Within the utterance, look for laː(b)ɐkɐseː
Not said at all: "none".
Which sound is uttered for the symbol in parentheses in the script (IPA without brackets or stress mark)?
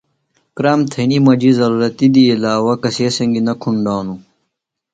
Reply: w